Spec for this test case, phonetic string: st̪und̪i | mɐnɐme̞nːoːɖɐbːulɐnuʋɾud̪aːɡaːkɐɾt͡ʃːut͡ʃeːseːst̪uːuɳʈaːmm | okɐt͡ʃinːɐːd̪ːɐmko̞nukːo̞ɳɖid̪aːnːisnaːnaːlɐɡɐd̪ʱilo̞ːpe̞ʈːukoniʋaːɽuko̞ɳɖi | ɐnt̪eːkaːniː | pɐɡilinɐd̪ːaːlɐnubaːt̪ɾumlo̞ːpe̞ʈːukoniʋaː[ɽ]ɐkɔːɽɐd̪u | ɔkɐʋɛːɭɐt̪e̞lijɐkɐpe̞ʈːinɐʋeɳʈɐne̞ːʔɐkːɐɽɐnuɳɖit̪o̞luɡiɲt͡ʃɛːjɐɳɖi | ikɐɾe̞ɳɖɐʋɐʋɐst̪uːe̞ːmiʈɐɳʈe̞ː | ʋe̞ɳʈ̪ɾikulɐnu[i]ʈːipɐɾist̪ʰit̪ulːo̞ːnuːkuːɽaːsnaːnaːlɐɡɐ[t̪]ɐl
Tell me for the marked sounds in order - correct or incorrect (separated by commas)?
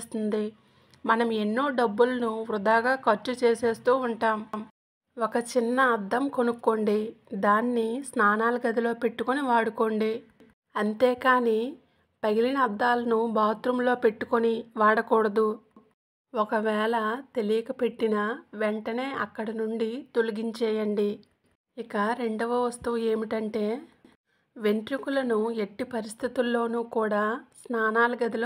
correct, incorrect, incorrect